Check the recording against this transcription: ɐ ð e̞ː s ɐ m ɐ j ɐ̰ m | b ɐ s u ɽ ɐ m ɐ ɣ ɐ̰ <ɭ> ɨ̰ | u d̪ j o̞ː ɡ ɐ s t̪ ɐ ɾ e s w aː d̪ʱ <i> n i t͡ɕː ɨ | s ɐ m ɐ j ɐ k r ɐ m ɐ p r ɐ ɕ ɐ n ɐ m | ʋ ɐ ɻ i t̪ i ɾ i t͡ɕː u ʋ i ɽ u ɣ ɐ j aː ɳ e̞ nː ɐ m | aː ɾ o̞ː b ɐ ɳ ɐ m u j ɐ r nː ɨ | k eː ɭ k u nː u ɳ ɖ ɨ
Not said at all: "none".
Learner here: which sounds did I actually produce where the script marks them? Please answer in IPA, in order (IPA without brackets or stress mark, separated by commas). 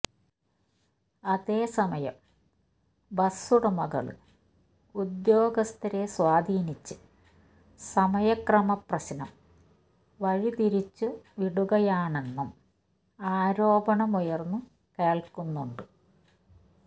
ɭ, iː